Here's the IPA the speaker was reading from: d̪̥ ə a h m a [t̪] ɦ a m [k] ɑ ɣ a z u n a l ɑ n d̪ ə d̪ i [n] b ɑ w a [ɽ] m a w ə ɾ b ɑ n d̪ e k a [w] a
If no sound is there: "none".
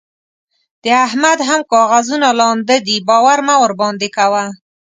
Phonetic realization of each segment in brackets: d̪, k, none, ɾ, w

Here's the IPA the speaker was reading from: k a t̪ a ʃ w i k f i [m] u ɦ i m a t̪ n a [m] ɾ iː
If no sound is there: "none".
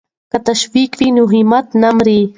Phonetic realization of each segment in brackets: n, m

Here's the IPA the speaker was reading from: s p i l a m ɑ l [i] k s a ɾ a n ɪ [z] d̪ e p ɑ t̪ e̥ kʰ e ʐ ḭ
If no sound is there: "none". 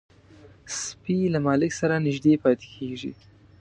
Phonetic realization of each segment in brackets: ɪ, ʒ

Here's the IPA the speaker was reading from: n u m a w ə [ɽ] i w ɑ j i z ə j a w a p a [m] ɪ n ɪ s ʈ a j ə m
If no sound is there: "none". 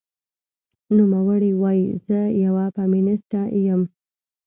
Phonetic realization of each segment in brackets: ɽ, m

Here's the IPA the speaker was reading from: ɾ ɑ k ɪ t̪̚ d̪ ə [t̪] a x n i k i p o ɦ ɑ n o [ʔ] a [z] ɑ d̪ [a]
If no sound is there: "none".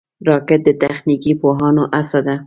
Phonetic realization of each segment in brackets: t̪, ʔ, s, a

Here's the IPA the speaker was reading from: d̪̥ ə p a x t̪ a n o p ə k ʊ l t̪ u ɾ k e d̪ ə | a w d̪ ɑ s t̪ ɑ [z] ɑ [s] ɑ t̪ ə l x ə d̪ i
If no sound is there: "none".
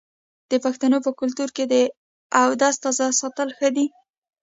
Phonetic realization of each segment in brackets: z, s

